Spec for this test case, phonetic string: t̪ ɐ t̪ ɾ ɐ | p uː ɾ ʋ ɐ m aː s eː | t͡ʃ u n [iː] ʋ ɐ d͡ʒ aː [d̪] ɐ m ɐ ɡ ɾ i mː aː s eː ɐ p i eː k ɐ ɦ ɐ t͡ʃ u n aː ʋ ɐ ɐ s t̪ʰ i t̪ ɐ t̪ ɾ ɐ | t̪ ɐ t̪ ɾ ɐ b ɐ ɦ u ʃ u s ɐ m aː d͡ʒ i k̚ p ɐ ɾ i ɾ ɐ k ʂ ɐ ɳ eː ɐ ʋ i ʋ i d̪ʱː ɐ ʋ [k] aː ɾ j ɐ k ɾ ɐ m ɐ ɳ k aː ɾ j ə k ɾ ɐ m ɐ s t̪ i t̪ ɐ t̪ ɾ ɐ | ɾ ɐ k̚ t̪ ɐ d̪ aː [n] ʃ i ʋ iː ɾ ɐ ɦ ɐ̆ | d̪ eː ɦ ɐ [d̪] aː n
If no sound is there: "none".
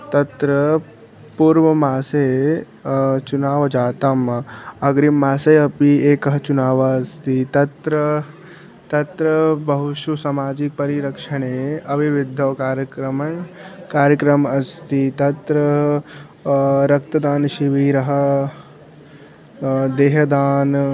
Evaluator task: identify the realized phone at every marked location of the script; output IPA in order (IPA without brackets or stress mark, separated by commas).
aː, t̪, k, n, d̪